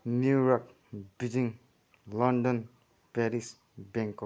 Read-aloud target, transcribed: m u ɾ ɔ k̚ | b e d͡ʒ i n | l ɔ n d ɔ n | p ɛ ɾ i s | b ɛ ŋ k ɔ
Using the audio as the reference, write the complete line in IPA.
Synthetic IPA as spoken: n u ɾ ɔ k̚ | b i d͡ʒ i ŋ | l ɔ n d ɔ n | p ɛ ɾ i s | b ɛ ŋ k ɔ